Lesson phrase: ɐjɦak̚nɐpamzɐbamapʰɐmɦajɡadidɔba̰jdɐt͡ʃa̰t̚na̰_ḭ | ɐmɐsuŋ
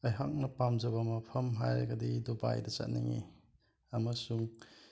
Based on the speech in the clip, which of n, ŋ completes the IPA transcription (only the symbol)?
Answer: ŋ